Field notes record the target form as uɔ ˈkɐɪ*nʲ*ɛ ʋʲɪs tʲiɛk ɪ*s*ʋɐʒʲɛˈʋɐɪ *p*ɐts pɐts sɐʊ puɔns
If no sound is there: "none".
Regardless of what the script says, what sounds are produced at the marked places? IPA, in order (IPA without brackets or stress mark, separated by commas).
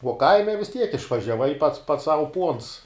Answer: mʲ, ʃ, p